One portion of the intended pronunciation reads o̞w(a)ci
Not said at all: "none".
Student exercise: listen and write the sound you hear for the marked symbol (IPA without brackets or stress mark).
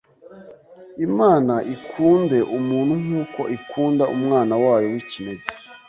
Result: i